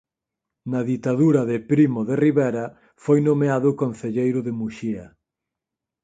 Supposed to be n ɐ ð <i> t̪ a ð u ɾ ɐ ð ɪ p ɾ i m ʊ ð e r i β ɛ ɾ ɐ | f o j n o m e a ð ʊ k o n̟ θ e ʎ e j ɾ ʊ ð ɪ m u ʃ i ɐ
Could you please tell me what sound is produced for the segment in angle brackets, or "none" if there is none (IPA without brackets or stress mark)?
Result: i